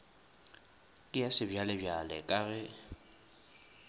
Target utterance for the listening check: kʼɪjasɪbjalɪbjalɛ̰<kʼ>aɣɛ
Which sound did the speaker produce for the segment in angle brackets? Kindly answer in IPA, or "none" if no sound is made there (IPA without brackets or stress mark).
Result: kʼ